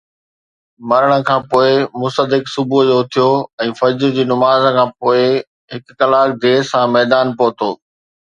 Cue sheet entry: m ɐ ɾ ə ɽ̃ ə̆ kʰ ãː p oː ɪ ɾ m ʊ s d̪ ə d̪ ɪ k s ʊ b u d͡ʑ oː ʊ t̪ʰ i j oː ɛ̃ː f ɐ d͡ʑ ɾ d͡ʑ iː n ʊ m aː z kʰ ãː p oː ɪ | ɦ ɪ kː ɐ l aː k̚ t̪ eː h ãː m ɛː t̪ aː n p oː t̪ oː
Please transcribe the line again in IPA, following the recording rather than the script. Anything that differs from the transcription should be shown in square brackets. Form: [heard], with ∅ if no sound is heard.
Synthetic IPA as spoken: m ɐ ɾ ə ɽ̃ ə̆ kʰ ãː p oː ɪ [∅] m ʊ s [t̪] ə d̪ ɪ k s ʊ b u d͡ʑ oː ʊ t̪ʰ i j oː ɛ̃ː f ɐ d͡ʑ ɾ d͡ʑ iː n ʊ m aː z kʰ ãː p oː ɪ | ɦ ɪ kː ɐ l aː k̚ [d̪] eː [s] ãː m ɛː [d̪] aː n p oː t̪ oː